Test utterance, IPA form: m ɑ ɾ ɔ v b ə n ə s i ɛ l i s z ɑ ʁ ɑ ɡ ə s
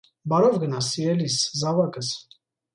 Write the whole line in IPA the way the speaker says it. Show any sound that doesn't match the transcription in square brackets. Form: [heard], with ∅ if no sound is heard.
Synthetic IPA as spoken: [b] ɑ ɾ ɔ v [ɡ] ə n [ɑ] s i ɛ l i s z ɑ [v] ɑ [k] ə s